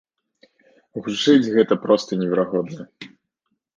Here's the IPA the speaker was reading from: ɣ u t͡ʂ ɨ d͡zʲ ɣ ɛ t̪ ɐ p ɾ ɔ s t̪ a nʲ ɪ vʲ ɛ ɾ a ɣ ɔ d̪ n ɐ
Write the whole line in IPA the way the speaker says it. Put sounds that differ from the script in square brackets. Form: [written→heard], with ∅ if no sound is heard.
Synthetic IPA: ɣ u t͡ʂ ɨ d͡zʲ ɣ ɛ t̪ ɐ p ɾ ɔ s t̪ [a→ɐ] nʲ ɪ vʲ ɛ ɾ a ɣ ɔ d̪ n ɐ

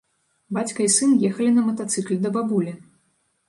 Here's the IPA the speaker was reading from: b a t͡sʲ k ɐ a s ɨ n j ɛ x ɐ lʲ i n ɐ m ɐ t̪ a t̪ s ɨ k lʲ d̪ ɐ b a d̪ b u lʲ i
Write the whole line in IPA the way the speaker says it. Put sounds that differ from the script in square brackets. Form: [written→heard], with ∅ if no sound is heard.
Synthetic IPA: b a t͡sʲ k ɐ [a→i] s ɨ n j ɛ x ɐ lʲ i n ɐ m ɐ t̪ a t̪ s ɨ k lʲ d̪ ɐ b a [d̪→∅] b u lʲ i

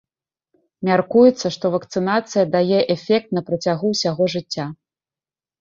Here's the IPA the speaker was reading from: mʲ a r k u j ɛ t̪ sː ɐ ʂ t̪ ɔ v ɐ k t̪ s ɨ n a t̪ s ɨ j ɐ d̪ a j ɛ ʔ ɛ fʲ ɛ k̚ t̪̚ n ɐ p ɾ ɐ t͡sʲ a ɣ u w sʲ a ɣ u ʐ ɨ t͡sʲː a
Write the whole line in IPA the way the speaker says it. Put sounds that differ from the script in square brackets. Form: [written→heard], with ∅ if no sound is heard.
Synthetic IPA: mʲ a r k u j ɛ t̪ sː ɐ ʂ t̪ ɔ v ɐ k t̪ s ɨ n a t̪ s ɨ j ɐ d̪ a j ɛ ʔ ɛ fʲ ɛ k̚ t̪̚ n ɐ p ɾ ɐ t͡sʲ a ɣ u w sʲ a ɣ [u→ɔ] ʐ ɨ t͡sʲː a

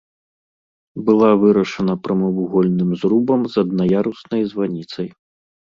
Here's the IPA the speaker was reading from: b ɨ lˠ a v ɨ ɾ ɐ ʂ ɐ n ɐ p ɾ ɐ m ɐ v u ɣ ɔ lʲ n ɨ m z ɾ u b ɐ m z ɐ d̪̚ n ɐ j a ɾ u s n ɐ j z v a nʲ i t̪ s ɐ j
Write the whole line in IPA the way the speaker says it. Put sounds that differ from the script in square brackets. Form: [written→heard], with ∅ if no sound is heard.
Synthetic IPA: b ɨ lˠ a v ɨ ɾ ɐ ʂ ɐ n ɐ p ɾ ɐ m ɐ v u ɣ ɔ lʲ n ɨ m z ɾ u b ɐ m z ɐ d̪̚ n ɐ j a ɾ u s n ɐ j z v a nʲ i t̪ s ɐ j

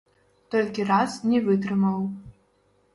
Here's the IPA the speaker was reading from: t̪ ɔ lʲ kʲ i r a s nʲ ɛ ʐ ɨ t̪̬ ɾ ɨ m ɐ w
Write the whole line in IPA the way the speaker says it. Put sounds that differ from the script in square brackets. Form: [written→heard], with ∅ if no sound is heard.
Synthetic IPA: t̪ ɔ lʲ kʲ i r a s nʲ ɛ [ʐ→v] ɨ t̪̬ ɾ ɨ m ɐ w

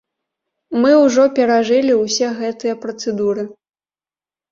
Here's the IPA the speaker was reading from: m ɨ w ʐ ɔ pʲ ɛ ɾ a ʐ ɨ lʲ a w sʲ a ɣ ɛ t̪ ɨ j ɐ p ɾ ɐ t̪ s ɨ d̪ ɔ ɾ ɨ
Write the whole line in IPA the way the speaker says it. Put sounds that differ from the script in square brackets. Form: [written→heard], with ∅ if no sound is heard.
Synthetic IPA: m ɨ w ʐ ɔ pʲ ɛ ɾ a ʐ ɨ lʲ [a→i] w sʲ [a→ɛ] ɣ ɛ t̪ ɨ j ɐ p ɾ ɐ t̪ s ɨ d̪ [ɔ→u] ɾ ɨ

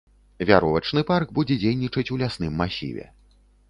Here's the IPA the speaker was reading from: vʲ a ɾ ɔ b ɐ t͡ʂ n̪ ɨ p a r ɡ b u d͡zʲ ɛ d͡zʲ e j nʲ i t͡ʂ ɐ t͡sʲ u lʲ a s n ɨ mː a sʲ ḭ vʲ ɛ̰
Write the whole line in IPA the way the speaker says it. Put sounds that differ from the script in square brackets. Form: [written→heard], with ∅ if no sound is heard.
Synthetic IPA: vʲ a ɾ ɔ [b→v] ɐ t͡ʂ n̪ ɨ p a r ɡ b u d͡zʲ ɛ d͡zʲ e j nʲ i t͡ʂ ɐ t͡sʲ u lʲ a s n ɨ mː a sʲ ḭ vʲ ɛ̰

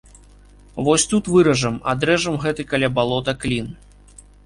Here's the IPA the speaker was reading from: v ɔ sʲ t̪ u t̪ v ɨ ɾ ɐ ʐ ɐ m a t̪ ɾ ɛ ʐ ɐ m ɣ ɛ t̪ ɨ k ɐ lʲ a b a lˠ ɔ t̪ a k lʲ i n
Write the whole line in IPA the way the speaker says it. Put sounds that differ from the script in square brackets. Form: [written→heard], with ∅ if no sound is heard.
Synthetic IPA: v ɔ sʲ t̪ u t̪ v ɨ ɾ ɐ ʐ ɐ m a [t̪→d̪] ɾ ɛ ʐ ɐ m ɣ ɛ t̪ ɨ k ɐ lʲ a b a lˠ ɔ t̪ [a→ɐ] k lʲ i n

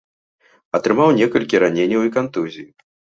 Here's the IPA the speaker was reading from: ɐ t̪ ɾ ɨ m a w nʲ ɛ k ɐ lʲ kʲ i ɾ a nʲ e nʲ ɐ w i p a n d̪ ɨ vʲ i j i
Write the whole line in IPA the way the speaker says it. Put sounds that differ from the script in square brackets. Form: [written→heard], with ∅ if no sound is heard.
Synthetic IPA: ɐ t̪ ɾ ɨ m a w nʲ ɛ k ɐ lʲ kʲ i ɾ a nʲ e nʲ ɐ w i [p→k] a n [d̪→t̪] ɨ [vʲ→zʲ] i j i

